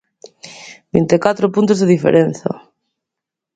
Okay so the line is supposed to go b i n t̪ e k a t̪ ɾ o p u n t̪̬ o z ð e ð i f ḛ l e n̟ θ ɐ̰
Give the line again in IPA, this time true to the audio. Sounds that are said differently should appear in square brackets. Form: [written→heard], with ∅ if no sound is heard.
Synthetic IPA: b i n t̪ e k a t̪ ɾ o p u n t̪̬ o z ð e ð i f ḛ [l→ɾ] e n̟ θ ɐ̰